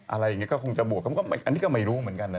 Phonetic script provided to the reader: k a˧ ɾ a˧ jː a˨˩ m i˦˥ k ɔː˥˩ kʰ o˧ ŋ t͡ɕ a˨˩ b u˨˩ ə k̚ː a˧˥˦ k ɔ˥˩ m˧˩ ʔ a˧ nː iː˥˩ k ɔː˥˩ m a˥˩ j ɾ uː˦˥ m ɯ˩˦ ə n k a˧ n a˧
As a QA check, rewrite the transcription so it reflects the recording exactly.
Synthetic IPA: ʔ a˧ ɾ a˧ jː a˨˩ ŋ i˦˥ k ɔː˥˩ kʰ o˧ ŋ t͡ɕ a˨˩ b u˨˩ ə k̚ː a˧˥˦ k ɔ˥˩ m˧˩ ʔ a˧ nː iː˦˥ k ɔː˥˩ m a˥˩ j ɾ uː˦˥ m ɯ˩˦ ə n k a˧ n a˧